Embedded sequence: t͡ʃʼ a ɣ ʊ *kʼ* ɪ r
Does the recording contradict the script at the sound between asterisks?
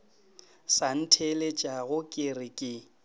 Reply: no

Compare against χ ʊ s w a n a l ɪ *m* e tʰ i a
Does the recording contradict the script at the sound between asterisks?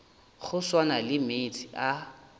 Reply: no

